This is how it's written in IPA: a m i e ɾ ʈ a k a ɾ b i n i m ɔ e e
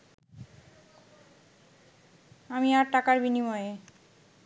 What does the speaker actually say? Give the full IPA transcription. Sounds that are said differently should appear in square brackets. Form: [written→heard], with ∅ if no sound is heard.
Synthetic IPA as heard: a m i [e→a] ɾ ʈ a k a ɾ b i n i m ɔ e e